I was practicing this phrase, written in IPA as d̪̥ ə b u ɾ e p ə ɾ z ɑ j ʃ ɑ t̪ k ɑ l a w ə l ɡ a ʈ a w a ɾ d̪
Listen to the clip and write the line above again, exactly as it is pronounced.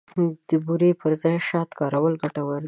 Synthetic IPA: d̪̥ ə b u ɾ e p ə ɾ z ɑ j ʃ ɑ t̪ k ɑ ɾ a w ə l ɡ a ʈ a w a ɾ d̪